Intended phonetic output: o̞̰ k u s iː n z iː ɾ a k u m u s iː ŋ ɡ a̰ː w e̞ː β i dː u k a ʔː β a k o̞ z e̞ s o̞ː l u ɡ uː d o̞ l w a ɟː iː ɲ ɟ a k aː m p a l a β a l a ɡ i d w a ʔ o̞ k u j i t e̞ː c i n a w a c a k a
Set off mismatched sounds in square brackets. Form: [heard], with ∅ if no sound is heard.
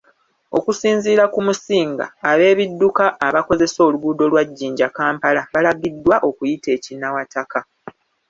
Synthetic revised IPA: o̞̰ k u s iː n z iː ɾ a k u m u s iː ŋ ɡ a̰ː [β] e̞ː β i dː u k a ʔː β a k o̞ z e̞ s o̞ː l u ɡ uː d o̞ l w a ɟː iː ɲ ɟ a k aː m p a l a β a l a ɡ i d w a ʔ o̞ k u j i t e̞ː c i n a w a [t] a k a